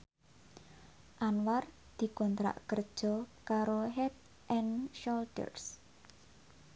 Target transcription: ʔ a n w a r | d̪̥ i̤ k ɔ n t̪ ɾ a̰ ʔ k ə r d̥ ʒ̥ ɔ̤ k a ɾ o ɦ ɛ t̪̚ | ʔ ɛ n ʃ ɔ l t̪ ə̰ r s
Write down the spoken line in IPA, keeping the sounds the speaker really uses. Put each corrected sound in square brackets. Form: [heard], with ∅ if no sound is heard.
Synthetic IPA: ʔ a n w a r | d̪̥ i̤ k ɔ n t̪ ɾ a̰ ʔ k ə r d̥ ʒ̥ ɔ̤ k a ɾ o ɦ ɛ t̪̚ | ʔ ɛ n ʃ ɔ l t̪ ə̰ r s

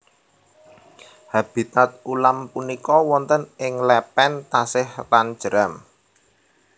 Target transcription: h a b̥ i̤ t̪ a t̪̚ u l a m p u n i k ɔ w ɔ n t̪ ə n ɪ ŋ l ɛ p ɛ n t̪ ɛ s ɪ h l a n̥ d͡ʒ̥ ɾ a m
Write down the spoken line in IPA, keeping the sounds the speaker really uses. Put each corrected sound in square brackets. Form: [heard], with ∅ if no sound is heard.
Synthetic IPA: h a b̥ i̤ t̪ a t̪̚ u l a m p u n i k ɔ w ɔ n t̪ ə n ɪ ŋ l ɛ p ɛ n t̪ [a] s ɪ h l a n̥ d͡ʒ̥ ɾ a m

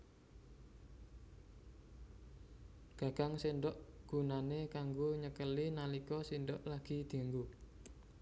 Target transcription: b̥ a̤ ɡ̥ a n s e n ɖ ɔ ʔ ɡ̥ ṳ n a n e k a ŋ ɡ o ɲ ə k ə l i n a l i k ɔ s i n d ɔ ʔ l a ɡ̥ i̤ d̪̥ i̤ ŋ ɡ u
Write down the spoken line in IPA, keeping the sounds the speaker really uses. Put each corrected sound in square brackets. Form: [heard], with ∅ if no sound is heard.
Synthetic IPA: [ɡ̥] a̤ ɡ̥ a [ŋ] s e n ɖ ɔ ʔ ɡ̥ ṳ n a n e k a ŋ ɡ o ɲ ə k ə l i n a l i k ɔ s i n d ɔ ʔ l a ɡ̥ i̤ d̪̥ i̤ ŋ ɡ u

